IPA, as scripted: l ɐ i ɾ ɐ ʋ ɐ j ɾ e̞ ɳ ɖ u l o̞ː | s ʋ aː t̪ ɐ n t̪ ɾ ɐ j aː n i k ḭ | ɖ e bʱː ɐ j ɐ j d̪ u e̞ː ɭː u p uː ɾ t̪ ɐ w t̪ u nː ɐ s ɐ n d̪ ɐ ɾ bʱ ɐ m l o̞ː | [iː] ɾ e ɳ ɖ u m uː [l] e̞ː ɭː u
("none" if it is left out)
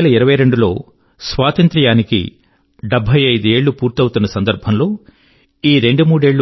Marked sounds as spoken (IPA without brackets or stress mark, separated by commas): iː, ɽ